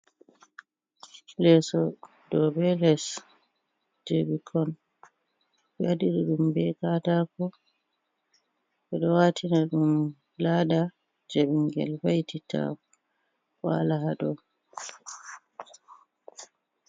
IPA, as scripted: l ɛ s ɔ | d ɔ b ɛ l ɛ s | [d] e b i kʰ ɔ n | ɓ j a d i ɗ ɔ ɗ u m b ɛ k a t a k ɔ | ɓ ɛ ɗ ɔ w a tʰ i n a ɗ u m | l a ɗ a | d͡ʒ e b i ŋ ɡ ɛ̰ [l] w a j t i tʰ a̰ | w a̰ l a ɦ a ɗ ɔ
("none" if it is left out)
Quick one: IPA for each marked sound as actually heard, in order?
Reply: d͡ʒ, l

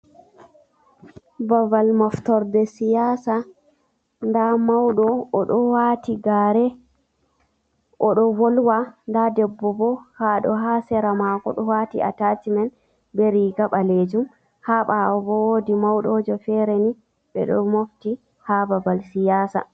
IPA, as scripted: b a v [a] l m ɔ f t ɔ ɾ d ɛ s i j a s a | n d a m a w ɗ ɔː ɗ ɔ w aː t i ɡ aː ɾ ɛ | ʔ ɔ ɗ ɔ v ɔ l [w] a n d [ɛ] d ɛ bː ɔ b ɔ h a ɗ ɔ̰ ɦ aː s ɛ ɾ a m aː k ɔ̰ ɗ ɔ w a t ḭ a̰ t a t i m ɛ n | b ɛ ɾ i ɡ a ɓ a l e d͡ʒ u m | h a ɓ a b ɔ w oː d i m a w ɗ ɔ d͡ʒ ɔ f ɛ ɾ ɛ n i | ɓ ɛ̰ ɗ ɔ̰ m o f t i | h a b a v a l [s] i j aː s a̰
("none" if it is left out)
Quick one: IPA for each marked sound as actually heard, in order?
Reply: a, w, a, s

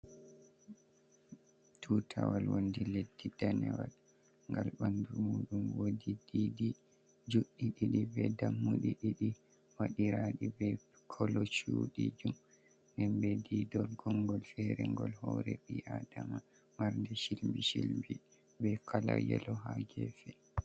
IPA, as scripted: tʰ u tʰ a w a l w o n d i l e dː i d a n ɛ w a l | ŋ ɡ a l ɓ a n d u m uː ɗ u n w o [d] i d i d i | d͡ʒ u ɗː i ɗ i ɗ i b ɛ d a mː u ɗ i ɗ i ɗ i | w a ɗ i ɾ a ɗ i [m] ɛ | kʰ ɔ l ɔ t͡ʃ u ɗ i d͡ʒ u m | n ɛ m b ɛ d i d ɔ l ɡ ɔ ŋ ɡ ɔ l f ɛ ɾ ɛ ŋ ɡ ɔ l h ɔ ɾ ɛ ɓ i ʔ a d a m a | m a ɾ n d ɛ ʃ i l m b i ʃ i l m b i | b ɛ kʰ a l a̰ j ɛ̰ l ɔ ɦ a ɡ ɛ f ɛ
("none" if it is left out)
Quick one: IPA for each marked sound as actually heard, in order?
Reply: d, b

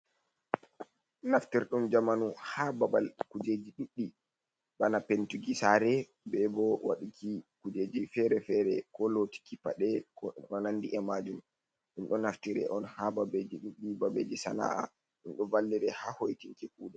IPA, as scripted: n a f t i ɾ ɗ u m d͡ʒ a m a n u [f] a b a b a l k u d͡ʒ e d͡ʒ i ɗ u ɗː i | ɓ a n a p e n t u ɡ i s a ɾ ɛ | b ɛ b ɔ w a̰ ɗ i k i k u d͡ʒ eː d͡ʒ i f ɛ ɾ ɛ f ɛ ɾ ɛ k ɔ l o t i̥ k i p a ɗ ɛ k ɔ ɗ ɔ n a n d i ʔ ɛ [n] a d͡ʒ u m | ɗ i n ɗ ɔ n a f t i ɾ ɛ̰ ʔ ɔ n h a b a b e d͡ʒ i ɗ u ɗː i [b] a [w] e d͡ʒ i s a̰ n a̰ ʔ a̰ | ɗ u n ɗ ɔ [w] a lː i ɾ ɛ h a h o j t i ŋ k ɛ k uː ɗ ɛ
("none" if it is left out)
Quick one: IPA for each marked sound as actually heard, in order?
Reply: h, m, b, b, v

